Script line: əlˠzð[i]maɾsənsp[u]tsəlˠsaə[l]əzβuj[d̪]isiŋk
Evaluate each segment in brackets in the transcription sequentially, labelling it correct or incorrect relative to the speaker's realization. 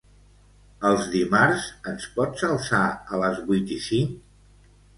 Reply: correct, incorrect: ɔ, correct, incorrect: t̪

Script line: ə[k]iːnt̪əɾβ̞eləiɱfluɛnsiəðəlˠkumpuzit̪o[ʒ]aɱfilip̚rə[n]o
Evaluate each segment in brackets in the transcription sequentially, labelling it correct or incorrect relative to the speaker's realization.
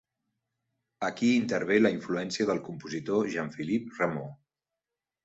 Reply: correct, correct, incorrect: m

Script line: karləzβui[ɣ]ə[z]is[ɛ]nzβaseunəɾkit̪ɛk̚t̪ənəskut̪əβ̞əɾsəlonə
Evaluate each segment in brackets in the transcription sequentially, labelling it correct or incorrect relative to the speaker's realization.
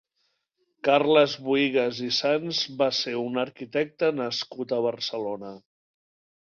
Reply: correct, correct, incorrect: a

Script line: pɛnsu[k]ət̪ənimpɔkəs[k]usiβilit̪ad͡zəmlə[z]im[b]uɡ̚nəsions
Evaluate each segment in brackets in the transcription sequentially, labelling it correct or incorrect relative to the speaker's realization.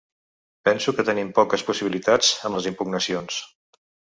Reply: correct, incorrect: p, correct, incorrect: p

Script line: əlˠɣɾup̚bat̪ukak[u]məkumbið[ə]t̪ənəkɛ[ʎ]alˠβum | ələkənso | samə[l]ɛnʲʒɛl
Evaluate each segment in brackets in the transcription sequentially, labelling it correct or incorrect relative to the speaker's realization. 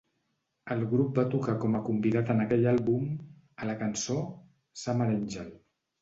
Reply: incorrect: ɔ, incorrect: a, correct, incorrect: ɾ

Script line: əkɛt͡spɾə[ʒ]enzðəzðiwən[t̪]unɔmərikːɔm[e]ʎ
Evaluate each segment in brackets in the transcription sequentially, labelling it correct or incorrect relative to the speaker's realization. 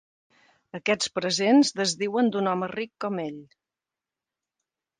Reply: incorrect: z, incorrect: d̪, correct

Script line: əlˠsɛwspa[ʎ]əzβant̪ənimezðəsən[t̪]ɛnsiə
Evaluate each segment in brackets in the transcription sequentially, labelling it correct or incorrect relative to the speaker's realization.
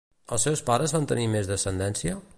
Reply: incorrect: ɾ, incorrect: d̪

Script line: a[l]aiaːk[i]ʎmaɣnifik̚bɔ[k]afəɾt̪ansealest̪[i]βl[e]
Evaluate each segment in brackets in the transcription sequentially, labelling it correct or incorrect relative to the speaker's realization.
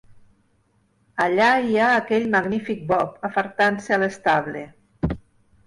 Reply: incorrect: ʎ, incorrect: ɛ, incorrect: p, incorrect: a, correct

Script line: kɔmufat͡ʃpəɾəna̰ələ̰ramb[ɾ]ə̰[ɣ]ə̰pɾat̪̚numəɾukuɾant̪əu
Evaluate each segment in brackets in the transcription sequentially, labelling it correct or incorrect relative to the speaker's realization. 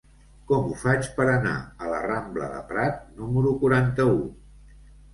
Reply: incorrect: l, incorrect: ð

